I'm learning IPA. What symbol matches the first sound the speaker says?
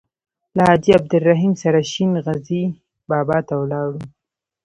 l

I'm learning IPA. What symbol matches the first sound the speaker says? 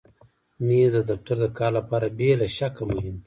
m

